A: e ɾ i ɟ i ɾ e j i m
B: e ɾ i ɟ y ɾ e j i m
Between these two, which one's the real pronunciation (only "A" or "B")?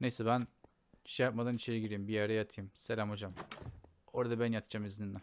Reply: A